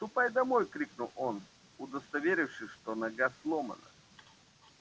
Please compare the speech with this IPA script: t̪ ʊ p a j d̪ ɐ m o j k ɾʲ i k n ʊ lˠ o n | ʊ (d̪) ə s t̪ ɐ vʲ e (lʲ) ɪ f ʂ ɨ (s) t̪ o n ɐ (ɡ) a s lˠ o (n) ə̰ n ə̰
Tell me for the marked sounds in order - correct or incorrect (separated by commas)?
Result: correct, incorrect, incorrect, correct, incorrect